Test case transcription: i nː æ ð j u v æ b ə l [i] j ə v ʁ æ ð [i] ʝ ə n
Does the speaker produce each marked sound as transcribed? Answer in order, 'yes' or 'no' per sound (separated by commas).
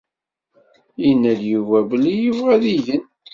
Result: yes, yes